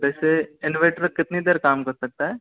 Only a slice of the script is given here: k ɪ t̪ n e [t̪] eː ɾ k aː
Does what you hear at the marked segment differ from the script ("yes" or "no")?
yes